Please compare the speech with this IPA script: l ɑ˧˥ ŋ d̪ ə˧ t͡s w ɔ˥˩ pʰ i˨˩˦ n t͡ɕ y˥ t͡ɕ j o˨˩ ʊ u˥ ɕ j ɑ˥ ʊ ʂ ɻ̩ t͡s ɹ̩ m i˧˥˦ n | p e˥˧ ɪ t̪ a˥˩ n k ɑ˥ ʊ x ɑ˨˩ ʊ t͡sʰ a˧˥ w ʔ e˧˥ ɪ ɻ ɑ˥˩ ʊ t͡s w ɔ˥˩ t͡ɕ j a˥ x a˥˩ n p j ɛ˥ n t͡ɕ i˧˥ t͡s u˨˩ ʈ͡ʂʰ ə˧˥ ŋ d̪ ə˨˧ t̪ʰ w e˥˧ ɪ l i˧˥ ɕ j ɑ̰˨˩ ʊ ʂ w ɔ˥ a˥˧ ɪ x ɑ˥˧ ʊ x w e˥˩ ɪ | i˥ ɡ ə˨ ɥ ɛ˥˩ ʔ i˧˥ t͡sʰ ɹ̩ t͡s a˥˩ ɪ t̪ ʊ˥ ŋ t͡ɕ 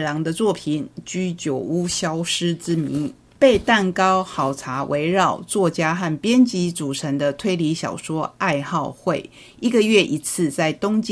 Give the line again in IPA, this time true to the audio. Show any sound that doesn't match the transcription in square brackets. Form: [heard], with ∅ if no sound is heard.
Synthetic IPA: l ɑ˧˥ ŋ d̪ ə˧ t͡s w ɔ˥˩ pʰ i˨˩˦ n t͡ɕ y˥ t͡ɕ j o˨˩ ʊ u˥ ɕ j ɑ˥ ʊ ʂ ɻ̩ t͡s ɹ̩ m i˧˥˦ n | p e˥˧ ɪ t̪ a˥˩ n k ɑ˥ ʊ x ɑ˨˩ ʊ t͡sʰ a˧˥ w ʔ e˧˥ ɪ ɻ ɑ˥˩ ʊ t͡s w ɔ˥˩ t͡ɕ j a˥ x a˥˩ n p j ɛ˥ n t͡ɕ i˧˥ t͡s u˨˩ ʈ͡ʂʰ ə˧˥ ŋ d̪ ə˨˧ t̪ʰ w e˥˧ ɪ l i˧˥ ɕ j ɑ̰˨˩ ʊ ʂ w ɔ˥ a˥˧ ɪ x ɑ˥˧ ʊ x w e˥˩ ɪ | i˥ ɡ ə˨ ɥ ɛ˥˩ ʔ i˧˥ t͡sʰ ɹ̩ t͡s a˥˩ ɪ t̪ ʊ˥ ŋ t͡ɕ